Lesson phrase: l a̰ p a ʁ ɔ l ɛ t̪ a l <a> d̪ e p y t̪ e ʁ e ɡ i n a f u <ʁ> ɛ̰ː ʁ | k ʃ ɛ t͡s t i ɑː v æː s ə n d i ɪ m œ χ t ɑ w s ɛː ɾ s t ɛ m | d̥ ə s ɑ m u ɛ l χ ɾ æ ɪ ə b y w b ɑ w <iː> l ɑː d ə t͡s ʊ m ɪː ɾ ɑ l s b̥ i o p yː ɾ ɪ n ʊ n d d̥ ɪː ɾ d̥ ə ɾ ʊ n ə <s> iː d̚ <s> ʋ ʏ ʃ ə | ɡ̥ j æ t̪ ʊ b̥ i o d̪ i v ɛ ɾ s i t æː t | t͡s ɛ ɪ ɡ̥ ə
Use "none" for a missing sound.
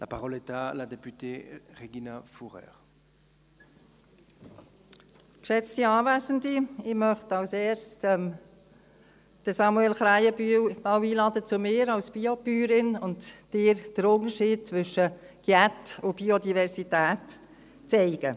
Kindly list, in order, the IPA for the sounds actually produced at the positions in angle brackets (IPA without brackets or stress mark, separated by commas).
a, ʁ, iː, ʃ, t͡s